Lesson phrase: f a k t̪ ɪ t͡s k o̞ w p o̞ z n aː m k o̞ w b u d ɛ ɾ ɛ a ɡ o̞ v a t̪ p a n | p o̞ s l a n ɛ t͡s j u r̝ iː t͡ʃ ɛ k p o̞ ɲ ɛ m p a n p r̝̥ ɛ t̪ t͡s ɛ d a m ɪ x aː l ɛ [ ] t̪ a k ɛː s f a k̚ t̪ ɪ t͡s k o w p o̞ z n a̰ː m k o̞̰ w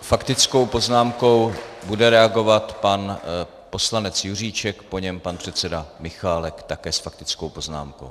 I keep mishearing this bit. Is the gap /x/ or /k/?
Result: k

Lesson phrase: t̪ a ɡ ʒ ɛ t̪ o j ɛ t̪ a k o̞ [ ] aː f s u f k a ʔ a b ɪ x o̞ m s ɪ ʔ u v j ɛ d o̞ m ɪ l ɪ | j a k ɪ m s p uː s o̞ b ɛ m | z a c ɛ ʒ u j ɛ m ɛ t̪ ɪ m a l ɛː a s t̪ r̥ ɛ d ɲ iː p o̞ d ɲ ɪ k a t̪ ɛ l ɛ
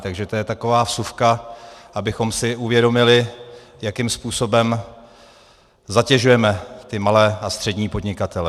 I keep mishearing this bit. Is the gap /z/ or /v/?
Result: v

